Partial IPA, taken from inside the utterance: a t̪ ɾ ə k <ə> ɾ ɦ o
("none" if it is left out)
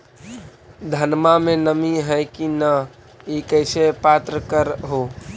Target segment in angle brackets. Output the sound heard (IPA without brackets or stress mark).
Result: ə